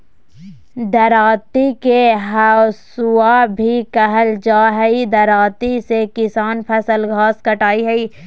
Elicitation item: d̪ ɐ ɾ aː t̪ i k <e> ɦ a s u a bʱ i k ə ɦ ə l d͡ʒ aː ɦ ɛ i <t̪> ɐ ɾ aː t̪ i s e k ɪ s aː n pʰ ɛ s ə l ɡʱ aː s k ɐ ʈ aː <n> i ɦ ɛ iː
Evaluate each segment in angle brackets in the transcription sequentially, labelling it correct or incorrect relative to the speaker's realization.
correct, incorrect: d̪, incorrect: none

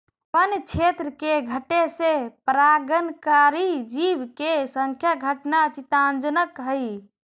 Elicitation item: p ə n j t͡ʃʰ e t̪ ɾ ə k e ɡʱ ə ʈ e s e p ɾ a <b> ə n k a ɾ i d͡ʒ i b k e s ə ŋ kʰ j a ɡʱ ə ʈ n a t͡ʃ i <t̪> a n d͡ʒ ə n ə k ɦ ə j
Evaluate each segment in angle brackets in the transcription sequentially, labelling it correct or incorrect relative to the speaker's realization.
incorrect: ɡ, correct

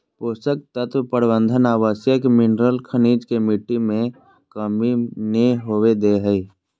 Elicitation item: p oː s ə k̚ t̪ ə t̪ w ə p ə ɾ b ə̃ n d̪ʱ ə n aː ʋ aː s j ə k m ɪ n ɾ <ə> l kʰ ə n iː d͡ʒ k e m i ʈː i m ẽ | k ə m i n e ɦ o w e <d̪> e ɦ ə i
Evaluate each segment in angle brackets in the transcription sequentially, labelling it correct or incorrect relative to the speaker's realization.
correct, correct

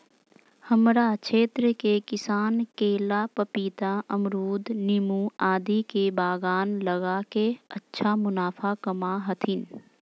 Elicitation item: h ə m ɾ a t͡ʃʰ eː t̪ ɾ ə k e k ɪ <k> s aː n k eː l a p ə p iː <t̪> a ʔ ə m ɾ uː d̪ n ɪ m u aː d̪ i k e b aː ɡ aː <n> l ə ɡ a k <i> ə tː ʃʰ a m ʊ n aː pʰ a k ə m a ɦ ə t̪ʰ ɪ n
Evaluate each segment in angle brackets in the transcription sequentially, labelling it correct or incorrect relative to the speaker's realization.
incorrect: none, correct, correct, incorrect: e

